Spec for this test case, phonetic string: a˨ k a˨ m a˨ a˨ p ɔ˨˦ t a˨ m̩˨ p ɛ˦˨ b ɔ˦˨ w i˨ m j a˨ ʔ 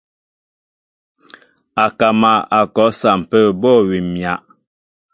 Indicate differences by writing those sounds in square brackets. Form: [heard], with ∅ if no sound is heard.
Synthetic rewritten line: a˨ k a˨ m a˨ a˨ [k] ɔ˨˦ [s] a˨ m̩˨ p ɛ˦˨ b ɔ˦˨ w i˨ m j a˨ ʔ